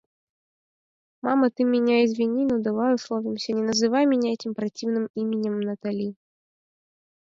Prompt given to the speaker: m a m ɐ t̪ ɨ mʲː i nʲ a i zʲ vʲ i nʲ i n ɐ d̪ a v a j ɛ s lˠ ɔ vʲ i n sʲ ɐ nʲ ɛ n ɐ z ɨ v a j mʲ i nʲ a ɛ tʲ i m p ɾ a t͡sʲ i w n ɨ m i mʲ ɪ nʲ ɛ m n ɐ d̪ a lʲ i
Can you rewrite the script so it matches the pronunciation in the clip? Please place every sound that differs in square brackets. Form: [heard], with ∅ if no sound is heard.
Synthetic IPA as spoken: m a m ɐ t̪ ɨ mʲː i nʲ a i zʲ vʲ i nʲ i n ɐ d̪ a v a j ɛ s lˠ ɔ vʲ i [m] sʲ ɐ nʲ ɛ n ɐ z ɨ v a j mʲ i nʲ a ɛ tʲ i m p ɾ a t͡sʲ i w n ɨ m i mʲ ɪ nʲ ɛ m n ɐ [t̪] a lʲ i